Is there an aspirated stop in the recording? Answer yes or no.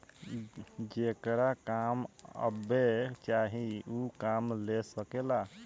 no